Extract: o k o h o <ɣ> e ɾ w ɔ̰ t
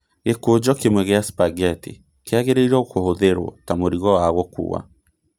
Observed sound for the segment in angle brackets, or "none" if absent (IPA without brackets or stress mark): ð